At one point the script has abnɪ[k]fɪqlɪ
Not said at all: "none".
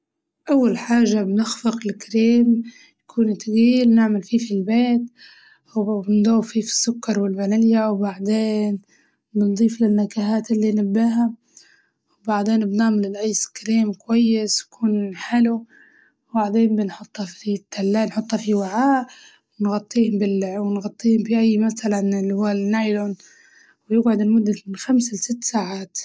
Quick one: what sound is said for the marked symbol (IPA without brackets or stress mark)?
x